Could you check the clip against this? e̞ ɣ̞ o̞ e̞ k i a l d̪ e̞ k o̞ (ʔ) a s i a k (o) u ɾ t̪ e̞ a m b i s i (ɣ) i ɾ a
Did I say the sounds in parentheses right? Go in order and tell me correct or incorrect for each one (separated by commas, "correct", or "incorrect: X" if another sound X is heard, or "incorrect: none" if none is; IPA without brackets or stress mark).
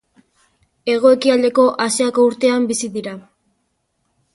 correct, correct, incorrect: ð